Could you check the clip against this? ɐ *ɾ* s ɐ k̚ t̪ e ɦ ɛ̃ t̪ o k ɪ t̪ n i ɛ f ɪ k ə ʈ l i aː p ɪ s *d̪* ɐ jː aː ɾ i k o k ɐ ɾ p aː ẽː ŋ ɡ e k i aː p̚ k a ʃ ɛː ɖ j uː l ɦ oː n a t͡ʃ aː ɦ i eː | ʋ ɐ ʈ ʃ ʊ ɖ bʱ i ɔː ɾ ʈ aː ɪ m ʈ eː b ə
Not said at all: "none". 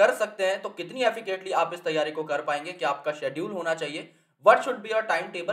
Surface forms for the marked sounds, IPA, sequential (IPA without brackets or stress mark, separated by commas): ɾ, t̪